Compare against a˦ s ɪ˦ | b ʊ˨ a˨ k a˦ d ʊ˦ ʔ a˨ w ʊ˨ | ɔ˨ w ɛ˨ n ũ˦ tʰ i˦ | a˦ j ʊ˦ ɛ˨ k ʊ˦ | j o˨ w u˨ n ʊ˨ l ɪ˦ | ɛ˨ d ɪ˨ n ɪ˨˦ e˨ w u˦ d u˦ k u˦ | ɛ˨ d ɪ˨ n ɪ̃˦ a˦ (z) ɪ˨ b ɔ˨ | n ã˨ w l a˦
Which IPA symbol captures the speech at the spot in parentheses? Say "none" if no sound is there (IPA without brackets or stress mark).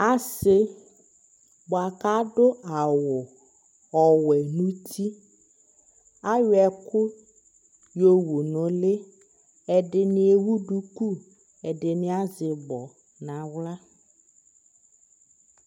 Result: z